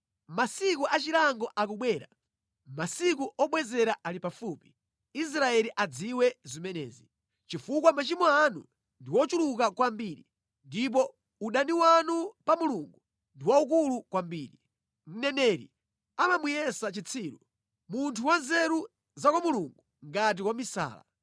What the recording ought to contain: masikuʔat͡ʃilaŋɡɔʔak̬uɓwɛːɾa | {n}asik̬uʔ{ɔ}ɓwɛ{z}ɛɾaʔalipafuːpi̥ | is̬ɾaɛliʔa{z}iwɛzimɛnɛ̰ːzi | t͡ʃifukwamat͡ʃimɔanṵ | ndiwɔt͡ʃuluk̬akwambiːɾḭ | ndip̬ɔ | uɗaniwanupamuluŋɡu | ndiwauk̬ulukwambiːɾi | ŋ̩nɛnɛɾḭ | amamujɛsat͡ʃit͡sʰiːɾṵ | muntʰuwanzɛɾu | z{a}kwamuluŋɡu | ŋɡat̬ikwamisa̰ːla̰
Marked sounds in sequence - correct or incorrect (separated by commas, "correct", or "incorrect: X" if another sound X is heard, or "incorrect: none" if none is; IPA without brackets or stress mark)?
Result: incorrect: m, correct, correct, incorrect: d͡z, correct